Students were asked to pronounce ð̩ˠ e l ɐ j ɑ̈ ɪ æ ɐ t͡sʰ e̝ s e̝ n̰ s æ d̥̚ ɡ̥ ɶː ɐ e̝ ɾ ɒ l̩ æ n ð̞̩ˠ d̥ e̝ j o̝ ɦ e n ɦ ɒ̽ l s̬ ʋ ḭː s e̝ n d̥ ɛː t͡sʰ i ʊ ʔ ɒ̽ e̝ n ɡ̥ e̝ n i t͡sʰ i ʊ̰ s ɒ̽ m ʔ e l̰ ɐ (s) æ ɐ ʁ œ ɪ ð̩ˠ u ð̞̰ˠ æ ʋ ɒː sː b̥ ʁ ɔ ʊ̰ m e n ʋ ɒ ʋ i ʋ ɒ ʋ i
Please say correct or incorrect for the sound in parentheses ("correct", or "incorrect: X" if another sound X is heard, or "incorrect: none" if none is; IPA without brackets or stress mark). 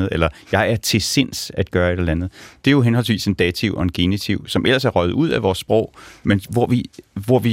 correct